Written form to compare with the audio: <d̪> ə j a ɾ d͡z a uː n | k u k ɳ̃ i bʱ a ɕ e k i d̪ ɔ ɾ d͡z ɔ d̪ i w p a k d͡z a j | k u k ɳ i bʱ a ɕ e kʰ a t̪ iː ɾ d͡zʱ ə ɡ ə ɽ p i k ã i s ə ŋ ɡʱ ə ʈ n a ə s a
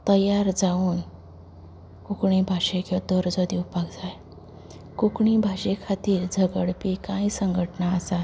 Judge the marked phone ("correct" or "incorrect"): incorrect